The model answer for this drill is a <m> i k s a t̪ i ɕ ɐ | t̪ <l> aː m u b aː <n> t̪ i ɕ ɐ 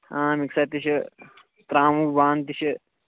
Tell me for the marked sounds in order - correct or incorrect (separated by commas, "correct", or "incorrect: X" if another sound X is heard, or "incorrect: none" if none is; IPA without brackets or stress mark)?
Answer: correct, incorrect: ɾ, correct